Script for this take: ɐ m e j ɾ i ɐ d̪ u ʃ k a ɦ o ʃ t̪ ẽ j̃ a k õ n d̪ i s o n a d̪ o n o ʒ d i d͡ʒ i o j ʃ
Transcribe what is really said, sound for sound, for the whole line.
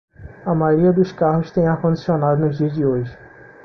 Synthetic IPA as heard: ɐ m a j ɾ i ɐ d̪ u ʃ k a ɦ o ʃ t̪ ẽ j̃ a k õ n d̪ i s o n a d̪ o n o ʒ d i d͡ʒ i o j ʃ

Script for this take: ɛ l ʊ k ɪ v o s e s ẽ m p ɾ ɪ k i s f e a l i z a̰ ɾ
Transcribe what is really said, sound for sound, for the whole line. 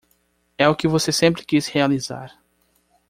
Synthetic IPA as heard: ɛ ʊ k ɪ v o s e s ẽ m p ɾ ɪ k i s h e a l i z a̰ ɾ

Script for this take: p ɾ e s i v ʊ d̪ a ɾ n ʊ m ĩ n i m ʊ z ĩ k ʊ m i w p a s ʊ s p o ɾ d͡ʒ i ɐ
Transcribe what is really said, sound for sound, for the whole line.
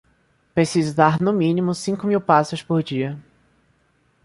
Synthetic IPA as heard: p ɾ e s i z ʊ d̪ a ɾ n ʊ m ĩ n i m ʊ s ĩ k ʊ m i w p a s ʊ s p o ɾ d͡ʒ i ɐ

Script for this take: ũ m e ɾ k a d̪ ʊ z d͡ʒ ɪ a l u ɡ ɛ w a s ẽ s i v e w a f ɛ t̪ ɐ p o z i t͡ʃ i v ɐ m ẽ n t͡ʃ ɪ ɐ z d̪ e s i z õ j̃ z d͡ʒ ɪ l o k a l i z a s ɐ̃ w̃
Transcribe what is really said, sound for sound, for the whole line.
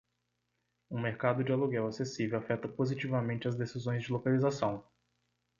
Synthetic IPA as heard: ũ m e ɾ k a d̪ ʊ d͡ʒ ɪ a l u ɡ ɛ w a s e s i v e w a f ɛ t̪ ɐ p o z i t͡ʃ i v ɐ m ẽ n t͡ʃ ɪ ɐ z d̪ e s i z õ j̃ z d͡ʒ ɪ l o k a l i z a s ɐ̃ w̃

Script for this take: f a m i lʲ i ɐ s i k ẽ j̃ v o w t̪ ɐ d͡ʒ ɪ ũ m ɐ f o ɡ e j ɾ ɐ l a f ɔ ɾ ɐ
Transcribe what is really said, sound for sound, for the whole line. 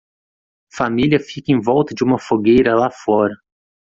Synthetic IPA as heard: f a m i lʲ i ɐ f i k ẽ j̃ v ɔ w t̪ ɐ d͡ʒ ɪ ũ m ɐ f o ɡ e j ɾ ɐ l a f ɔ ɾ ɐ

